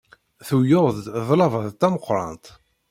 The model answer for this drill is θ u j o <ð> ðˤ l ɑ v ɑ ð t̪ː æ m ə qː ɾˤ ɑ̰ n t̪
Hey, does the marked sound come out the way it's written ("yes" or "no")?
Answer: yes